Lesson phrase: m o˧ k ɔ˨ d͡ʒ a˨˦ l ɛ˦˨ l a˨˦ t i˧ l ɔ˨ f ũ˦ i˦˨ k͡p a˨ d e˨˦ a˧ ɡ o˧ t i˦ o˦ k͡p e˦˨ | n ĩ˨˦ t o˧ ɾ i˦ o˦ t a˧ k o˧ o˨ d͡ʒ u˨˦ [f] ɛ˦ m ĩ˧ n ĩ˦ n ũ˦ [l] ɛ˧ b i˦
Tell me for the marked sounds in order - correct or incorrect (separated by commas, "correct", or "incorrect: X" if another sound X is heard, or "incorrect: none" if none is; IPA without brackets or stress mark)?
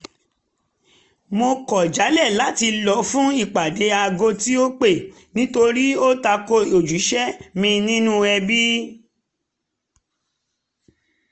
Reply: incorrect: ʃ, incorrect: none